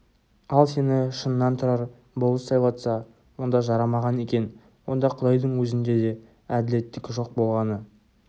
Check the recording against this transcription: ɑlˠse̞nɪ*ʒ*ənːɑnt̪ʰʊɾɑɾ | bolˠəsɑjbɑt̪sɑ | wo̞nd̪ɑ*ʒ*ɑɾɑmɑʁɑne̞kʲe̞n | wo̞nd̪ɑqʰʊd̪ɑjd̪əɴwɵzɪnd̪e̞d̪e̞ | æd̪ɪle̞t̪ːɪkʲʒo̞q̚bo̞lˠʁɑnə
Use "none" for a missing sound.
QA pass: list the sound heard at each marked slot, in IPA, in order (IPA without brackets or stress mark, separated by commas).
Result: ʃ, ʒ